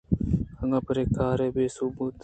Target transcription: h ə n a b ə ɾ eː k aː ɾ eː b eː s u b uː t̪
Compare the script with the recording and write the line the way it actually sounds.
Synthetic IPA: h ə ŋ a p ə ɾ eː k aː ɾ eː b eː s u b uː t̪